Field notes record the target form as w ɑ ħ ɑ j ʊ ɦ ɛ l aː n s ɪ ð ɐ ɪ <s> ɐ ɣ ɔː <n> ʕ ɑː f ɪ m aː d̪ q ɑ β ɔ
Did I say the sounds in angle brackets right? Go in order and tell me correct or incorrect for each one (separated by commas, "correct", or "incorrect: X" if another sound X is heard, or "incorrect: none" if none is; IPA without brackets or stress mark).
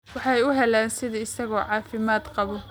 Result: correct, incorrect: none